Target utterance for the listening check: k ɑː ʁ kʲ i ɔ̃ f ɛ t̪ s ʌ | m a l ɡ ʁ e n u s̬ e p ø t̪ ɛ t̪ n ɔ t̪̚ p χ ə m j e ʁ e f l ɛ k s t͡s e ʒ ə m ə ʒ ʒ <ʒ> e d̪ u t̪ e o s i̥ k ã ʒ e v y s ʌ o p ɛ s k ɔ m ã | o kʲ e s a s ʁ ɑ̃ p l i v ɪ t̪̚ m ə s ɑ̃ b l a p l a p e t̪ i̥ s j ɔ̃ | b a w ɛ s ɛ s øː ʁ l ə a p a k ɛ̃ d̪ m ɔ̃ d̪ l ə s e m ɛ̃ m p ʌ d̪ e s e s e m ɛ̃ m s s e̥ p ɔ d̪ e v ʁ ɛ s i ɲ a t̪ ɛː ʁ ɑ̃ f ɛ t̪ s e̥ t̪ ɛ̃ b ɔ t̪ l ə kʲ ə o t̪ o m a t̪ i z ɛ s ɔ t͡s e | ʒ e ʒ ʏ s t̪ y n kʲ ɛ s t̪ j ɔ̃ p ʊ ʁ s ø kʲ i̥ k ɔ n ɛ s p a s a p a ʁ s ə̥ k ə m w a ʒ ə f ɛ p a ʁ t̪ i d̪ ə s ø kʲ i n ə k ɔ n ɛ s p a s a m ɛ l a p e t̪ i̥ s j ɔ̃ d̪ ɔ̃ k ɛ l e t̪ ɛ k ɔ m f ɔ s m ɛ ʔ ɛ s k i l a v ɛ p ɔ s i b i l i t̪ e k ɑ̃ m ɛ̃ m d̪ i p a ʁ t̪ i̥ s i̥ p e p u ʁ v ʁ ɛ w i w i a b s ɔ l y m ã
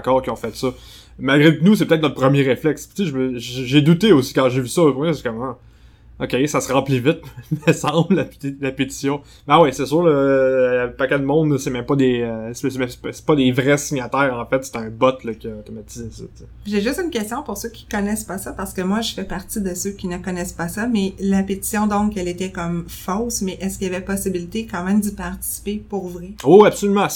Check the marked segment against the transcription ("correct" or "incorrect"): correct